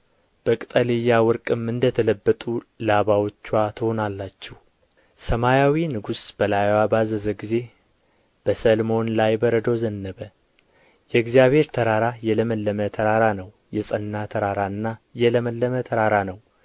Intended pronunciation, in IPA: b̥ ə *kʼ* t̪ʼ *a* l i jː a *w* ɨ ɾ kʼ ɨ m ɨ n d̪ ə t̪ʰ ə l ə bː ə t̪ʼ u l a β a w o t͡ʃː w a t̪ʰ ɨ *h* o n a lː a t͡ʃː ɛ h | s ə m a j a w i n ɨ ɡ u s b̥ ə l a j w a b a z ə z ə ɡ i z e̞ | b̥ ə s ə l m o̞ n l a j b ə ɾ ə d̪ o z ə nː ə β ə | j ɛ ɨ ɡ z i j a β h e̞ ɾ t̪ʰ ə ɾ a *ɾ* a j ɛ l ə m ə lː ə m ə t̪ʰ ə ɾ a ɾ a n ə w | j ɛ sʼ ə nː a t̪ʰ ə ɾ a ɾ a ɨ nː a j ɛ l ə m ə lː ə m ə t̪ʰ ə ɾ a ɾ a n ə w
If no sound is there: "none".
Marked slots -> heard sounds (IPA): kʼ, ə, w, h, ɾ

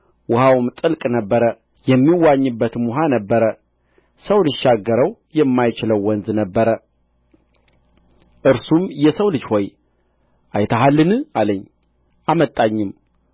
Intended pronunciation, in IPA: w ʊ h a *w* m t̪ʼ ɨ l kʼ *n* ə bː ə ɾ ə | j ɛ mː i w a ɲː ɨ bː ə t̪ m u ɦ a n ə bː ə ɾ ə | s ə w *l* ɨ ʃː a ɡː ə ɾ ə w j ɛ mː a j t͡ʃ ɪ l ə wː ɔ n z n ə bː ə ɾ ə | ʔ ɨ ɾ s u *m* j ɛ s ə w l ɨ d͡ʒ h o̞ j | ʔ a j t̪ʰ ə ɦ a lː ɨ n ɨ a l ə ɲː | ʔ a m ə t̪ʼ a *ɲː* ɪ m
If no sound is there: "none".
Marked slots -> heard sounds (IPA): w, n, l, m, ɲː

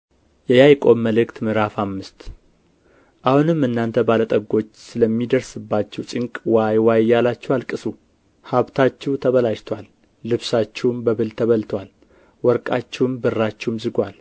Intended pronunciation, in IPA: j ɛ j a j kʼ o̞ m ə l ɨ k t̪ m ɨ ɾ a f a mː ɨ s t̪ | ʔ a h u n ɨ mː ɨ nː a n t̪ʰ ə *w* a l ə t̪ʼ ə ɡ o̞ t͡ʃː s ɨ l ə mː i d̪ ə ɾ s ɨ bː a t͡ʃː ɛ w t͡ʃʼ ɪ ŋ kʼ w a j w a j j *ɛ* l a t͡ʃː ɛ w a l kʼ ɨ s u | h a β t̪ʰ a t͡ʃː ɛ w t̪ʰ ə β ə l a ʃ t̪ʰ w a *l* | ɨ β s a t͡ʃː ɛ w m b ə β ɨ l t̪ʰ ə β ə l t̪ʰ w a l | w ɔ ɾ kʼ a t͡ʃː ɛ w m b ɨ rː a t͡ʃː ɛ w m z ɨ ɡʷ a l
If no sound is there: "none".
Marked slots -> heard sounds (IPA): b, a, lː

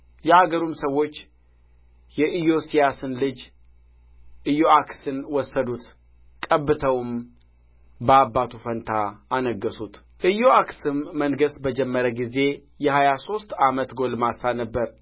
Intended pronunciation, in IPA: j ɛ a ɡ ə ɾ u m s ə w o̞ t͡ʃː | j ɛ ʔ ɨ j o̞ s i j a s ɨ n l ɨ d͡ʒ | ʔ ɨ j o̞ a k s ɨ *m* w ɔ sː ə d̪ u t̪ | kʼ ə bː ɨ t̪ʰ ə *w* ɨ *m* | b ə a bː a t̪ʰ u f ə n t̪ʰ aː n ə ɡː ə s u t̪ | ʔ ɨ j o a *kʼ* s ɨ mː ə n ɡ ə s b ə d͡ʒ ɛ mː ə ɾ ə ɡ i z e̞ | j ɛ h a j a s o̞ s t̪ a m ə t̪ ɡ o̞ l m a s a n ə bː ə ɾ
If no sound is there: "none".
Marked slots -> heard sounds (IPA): n, w, m, k

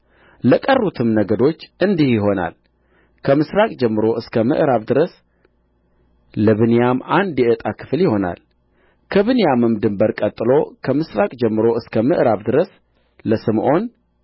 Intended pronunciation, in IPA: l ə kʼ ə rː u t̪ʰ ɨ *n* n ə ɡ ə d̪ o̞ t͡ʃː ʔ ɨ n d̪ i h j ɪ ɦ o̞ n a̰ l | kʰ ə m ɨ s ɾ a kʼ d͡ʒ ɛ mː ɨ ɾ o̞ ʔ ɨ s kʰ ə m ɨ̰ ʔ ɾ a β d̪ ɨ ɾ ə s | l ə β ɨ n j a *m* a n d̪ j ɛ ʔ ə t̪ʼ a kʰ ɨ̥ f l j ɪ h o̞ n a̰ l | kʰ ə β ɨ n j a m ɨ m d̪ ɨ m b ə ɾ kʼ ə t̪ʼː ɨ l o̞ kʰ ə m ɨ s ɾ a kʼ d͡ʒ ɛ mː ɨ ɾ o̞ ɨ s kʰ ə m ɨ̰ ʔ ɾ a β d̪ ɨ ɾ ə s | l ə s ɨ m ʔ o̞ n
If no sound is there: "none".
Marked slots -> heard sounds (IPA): m, m

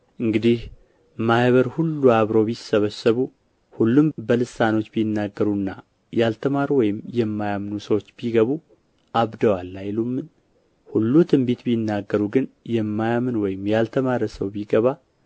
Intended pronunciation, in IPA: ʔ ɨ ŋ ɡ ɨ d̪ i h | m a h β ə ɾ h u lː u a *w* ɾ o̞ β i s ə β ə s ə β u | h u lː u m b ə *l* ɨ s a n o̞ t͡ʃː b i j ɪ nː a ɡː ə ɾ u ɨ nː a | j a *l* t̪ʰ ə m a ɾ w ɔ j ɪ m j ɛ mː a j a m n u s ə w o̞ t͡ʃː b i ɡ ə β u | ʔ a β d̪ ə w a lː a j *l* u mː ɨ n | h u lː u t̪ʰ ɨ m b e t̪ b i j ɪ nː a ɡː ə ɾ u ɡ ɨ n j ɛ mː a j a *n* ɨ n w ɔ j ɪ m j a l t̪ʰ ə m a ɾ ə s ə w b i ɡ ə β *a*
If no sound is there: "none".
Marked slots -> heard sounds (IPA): β, l, l, l, m, a

